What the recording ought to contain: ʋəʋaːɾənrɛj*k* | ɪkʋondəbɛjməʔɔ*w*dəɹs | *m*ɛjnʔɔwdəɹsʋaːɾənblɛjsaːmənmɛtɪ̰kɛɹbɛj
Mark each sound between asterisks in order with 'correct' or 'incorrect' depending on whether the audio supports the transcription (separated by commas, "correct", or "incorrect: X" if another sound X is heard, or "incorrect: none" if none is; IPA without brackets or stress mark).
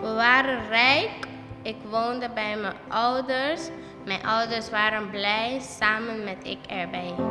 correct, correct, correct